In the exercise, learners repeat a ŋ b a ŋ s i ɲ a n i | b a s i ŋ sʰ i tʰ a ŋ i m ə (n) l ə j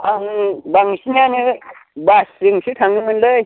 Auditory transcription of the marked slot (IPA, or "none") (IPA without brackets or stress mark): n